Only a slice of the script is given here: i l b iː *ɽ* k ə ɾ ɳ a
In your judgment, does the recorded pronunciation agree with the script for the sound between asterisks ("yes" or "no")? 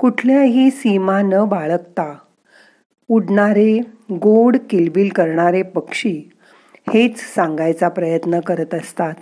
no